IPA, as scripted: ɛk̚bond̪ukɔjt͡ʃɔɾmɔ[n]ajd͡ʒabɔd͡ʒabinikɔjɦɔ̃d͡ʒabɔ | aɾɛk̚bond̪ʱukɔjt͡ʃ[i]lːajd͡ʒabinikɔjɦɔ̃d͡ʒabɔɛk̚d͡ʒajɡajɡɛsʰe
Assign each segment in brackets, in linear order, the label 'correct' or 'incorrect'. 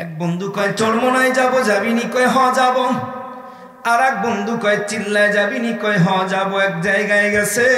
correct, correct

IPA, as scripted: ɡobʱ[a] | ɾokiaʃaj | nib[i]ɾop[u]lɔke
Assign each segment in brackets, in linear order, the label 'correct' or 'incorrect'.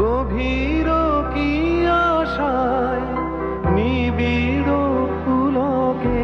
incorrect: i, correct, correct

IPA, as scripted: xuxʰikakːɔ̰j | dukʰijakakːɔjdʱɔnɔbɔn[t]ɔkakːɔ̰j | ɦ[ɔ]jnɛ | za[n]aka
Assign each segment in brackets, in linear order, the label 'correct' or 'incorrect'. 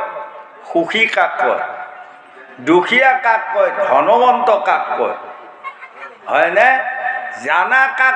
correct, correct, correct

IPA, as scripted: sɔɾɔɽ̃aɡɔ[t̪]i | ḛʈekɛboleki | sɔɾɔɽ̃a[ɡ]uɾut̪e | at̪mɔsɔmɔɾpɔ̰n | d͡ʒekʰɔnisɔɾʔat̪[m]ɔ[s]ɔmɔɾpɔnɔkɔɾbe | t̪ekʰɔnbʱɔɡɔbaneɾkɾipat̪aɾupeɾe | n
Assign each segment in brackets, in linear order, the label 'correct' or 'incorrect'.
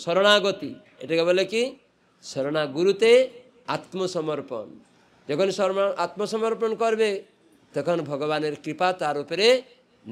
correct, correct, correct, correct

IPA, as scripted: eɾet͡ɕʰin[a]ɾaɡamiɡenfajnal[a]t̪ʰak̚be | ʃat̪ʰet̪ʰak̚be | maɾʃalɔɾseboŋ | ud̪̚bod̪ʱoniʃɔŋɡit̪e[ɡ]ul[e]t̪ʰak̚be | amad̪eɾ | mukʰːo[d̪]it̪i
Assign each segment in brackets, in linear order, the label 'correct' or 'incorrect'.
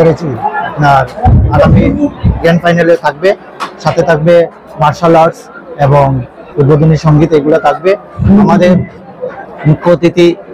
correct, incorrect: e, correct, incorrect: a, incorrect: t̪

